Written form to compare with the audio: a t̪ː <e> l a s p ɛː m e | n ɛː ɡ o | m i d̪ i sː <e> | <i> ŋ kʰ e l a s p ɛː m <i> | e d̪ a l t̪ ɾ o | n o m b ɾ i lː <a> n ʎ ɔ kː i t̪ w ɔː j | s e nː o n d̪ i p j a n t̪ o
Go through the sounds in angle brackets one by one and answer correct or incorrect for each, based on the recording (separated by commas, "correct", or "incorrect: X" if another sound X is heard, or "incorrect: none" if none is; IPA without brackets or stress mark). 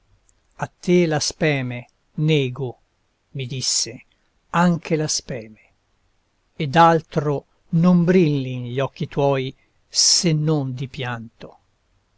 correct, correct, incorrect: a, incorrect: e, incorrect: i